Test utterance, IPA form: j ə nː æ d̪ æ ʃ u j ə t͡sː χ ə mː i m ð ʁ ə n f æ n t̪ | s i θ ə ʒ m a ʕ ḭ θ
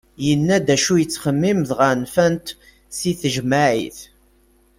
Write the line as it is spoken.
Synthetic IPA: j ə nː æ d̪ æ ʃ u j ə t͡sː χ ə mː i m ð ʁ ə n f æ n t̪ | s i θ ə ʒ m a ʕ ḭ θ